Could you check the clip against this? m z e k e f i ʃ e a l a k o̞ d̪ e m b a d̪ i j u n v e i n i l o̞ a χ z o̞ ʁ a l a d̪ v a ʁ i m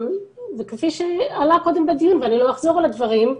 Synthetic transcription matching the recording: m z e k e f i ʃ e a l a k o̞ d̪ e m b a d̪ i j u n v e a n i l o̞ a χ z o̞ ʁ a l a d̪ v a ʁ i m